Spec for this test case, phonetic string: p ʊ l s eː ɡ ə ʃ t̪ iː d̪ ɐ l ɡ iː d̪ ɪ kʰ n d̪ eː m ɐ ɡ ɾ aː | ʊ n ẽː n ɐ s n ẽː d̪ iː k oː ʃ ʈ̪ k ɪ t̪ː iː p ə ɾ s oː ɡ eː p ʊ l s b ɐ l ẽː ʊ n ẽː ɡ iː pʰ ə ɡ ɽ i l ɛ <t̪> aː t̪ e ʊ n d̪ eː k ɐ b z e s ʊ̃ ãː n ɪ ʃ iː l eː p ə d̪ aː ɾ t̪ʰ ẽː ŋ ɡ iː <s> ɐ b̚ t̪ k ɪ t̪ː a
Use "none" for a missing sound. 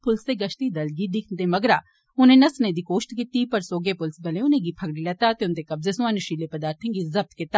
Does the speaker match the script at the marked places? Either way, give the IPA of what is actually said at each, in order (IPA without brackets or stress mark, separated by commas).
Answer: t̪, z